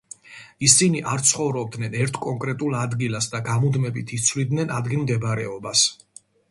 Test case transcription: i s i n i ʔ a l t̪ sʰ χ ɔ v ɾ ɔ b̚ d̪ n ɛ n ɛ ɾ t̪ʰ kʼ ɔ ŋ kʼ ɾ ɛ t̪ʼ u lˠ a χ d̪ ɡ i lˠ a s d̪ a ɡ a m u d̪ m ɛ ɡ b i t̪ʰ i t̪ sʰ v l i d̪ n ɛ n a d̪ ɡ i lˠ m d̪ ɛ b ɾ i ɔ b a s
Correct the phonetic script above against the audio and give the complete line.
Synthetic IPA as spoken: i s i n i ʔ a ɾ t̪ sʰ χ ɔ v ɾ ɔ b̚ d̪ n ɛ n ɛ ɾ t̪ʰ kʼ ɔ ŋ kʼ ɾ ɛ t̪ʼ u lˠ a d̪ ɡ i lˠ a s d̪ a ɡ a m u d̪ m ɛ b i t̪ʰ i t̪ sʰ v l i d̪ n ɛ n a d̪ ɡ i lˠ m d̪ ɛ b ɾ ɛ ɔ b a s